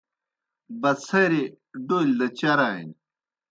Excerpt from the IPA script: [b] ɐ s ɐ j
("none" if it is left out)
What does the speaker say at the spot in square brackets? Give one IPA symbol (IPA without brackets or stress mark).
b